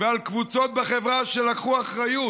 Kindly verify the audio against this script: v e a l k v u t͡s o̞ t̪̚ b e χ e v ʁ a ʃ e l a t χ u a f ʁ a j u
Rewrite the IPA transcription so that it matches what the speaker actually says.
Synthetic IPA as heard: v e a l k v u t͡s o̞ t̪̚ b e χ e v ʁ a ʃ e l a k χ u a χ ʁ a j u